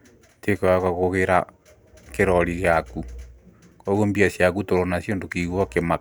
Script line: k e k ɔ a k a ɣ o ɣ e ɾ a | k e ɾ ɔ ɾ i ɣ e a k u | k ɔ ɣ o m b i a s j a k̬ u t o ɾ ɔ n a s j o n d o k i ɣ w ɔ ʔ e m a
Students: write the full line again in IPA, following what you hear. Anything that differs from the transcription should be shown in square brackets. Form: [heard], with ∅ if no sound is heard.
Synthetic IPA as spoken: [t] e k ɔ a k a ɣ o ɣ e ɾ a | k e ɾ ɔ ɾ i ɣ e a k u | k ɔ ɣ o m b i a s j a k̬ u t o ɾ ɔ n a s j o n d o k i ɣ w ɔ [k] e m a